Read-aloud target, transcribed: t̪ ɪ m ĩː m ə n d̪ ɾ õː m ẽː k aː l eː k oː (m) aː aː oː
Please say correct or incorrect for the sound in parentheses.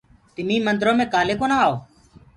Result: incorrect